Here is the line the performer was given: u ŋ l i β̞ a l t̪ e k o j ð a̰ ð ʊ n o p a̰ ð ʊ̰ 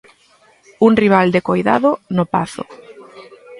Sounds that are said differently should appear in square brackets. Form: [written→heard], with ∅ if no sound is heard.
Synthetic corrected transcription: u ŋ [l→r] i β̞ a l [t̪→d̪] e k o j ð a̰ ð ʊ n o p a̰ [ð→θ] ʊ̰